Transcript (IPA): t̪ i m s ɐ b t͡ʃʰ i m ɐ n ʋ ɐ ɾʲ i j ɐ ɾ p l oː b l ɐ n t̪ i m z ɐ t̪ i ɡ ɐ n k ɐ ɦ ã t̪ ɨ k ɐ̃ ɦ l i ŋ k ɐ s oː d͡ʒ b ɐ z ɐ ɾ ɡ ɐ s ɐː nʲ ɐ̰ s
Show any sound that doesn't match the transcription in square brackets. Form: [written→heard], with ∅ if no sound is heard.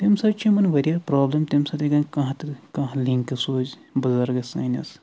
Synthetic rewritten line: t̪ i m s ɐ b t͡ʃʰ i m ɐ n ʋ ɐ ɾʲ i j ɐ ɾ p [l→ɾ] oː b l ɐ [n→m] t̪ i m [z→s] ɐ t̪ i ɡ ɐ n k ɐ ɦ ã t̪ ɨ k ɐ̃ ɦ l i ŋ k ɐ s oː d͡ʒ b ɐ z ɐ ɾ ɡ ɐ s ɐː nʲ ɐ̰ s